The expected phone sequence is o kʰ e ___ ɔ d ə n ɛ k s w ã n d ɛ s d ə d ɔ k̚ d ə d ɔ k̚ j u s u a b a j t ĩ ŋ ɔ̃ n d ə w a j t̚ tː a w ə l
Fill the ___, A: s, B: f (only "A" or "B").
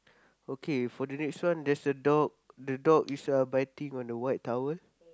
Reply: B